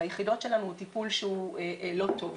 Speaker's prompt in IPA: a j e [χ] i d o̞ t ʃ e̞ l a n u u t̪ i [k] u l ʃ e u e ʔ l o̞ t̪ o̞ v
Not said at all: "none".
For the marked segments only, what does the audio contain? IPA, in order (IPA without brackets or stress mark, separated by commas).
χ, p